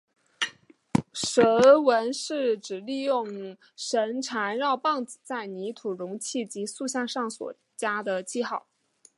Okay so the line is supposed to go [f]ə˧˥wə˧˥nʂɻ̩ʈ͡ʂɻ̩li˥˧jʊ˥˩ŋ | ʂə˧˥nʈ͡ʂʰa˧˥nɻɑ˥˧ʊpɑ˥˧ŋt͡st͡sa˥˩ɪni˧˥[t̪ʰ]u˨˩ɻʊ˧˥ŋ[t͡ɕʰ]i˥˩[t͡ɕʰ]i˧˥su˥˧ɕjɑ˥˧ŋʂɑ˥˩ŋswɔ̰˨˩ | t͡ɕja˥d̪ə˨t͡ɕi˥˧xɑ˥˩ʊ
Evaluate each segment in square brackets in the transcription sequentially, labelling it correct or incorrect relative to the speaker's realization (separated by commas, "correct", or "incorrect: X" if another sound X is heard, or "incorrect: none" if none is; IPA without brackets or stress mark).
incorrect: ʂ, correct, correct, incorrect: t͡ɕ